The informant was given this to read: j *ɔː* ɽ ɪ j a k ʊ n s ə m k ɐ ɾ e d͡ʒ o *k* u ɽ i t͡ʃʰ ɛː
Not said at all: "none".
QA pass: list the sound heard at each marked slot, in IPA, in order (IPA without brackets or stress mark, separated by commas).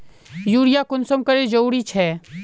uː, none